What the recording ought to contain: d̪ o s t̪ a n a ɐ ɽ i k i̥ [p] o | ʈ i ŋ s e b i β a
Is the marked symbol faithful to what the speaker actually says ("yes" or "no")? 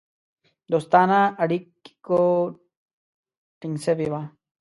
no